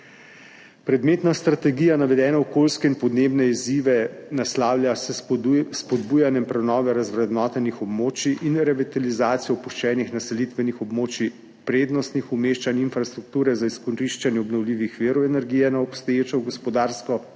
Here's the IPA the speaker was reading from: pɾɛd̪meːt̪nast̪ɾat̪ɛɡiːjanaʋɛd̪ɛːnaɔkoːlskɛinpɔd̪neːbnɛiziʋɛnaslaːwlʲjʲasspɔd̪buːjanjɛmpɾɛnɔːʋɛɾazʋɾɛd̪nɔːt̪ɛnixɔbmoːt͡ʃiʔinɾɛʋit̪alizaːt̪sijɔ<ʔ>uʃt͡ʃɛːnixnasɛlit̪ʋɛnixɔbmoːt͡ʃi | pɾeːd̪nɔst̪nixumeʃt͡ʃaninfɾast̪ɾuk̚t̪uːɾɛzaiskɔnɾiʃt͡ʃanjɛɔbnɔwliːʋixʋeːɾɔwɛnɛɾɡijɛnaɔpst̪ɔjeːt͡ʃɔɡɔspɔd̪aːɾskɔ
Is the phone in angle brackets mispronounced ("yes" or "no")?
yes